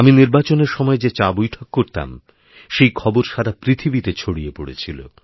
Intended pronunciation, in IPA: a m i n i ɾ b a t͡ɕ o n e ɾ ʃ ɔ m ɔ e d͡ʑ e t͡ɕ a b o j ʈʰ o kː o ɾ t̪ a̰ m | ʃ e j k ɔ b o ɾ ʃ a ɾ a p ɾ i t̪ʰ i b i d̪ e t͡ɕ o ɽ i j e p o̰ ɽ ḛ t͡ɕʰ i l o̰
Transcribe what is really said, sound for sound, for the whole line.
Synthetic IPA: a m i n i ɾ b a t͡ɕ o n e ɾ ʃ ɔ m ɔ e d͡ʑ e t͡ɕ a b o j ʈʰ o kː o ɾ t̪ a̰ m | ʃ e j kʰ ɔ b o ɾ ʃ a ɾ a p ɾ i t̪ʰ i b i t̪ e t͡ɕʰ o ɽ i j e p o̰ ɽ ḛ t͡ɕʰ i l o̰

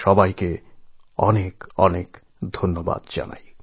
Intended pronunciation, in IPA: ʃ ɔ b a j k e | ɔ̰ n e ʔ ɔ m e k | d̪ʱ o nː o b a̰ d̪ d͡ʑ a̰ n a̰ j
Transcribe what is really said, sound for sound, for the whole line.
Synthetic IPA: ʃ ɔ b a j k e | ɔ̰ n e k ɔ n e k | d̪ʱ o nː o b a̰ d̪ d͡ʑ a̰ n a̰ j

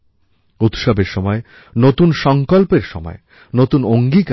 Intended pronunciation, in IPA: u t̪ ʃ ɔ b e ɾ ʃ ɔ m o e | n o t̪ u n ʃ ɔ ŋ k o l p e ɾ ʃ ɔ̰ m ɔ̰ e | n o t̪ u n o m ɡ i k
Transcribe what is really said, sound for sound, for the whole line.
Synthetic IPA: u t̪ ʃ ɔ b e ɾ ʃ ɔ m ɔ e | n o t̪ u n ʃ ɔ ŋ k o l p e ɾ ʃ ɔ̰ m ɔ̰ e | n o t̪ u n o ŋ ɡ i k

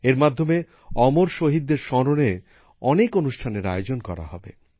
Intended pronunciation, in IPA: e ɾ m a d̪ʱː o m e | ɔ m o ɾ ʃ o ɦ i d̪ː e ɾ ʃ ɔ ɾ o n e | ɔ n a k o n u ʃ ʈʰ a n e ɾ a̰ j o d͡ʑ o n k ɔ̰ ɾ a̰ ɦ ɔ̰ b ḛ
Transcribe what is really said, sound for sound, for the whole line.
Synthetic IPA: e ɾ m a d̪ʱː o m e | ɔ m o ɾ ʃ o ɦ i d̪ː e ɾ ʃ ɔ ɾ o n e | ɔ n e k o n u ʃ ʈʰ a n e ɾ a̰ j o d͡ʑ o n k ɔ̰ ɾ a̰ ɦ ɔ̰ b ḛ

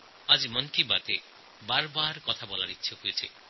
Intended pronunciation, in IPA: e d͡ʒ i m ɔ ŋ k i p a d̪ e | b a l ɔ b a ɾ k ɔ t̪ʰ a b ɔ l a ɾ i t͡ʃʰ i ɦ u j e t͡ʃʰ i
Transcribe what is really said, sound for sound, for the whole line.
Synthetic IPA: a d͡ʒ i m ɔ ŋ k i b a t̪ e | b a ɾ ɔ b a ɾ k ɔ t̪ʰ a b ɔ l a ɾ i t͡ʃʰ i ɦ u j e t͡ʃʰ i

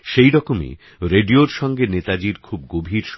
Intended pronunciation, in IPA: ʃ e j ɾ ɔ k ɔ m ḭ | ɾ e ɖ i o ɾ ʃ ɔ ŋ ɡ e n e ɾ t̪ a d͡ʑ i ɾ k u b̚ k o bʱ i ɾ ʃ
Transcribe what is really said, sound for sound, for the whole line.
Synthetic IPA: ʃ e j ɾ ɔ k o m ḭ | ɾ e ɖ i o ɾ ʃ ɔ ŋ ɡ e n e t̪ a d͡ʑ i ɾ kʰ u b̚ ɡ o bʱ i ɾ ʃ

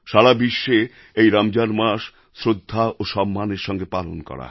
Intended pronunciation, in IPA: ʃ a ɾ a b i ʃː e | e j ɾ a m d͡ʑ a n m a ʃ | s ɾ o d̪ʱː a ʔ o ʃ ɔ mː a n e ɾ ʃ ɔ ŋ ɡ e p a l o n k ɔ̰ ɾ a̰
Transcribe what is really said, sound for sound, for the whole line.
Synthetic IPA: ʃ a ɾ a b i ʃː e | e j ɾ a m d͡ʑ a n m a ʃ | s ɾ o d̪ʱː a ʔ o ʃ ɔ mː a n e ɾ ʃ ɔ ŋ ɡ e p a l o n k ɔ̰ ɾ a̰

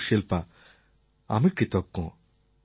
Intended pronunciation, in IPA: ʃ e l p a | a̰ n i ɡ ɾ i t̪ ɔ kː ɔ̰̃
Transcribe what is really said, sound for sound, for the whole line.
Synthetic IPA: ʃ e l p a | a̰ m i k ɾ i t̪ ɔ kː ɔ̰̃

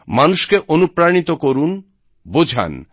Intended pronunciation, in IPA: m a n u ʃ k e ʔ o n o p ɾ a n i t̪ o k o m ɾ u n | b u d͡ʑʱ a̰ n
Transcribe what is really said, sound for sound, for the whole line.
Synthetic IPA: m a n u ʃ k e ʔ o n u p ɾ a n i t̪ o k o ɾ u n | b o d͡ʑʱ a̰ n

